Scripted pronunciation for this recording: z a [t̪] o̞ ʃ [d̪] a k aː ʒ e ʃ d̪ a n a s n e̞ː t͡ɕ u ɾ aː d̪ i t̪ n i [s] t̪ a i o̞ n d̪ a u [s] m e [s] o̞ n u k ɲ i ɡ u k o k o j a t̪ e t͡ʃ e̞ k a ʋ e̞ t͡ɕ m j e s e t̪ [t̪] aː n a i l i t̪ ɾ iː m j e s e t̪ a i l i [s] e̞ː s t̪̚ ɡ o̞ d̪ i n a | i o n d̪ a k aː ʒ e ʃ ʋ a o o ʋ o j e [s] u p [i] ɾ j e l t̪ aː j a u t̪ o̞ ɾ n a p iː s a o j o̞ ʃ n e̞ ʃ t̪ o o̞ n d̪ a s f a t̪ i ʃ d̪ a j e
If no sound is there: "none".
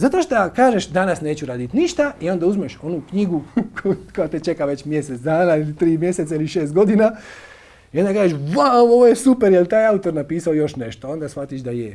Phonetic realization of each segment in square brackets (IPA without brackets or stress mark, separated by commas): t̪, t̪, ʃ, z, ʃ, d̪, ʃ, s, e